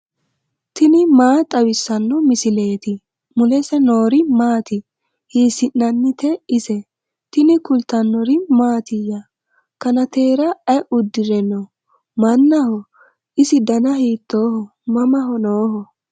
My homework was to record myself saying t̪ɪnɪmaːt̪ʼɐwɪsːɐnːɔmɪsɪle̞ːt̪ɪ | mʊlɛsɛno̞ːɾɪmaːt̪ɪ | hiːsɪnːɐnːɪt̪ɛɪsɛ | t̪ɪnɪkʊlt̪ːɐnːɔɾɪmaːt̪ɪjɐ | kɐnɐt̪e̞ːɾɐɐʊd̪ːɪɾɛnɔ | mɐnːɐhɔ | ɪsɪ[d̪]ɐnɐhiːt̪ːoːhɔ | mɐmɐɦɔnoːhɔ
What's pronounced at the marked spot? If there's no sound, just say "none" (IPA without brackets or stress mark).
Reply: d̪